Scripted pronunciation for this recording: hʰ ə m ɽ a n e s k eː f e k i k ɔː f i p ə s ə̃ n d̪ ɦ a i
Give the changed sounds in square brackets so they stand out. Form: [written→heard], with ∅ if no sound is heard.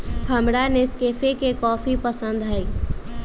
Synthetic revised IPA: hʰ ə m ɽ a n e s k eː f e k [i→e] k ɔː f i p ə s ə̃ n d̪ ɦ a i

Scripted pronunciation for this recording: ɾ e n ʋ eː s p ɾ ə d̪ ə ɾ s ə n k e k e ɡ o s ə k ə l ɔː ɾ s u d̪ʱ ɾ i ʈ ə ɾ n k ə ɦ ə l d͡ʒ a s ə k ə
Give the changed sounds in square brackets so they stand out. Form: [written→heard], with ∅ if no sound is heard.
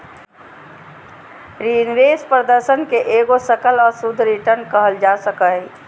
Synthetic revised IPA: ɾ [e→i] n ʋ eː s p ɾ ə d̪ ə ɾ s ə n k e [k→ʔ] e ɡ o s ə k ə l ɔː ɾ s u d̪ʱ ɾ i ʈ ə ɾ n k ə ɦ ə l d͡ʒ a s ə k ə

